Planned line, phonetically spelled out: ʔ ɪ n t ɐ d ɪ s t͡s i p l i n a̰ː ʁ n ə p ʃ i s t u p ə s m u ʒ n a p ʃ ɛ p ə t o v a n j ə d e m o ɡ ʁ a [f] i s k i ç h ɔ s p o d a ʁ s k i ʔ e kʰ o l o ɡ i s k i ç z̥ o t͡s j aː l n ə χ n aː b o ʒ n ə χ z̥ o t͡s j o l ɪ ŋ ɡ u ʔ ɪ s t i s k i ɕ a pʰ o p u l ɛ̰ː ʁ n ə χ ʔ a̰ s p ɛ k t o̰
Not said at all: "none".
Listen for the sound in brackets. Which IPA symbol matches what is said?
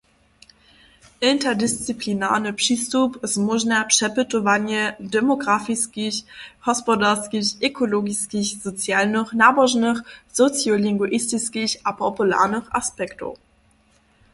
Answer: f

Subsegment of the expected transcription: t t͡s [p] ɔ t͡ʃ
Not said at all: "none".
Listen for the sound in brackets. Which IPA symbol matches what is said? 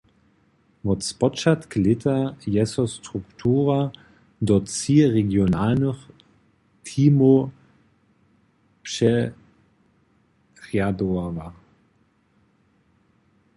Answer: p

